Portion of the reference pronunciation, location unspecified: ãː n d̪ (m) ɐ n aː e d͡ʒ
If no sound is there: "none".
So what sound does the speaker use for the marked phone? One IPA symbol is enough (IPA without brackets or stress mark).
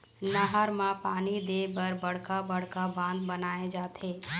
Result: b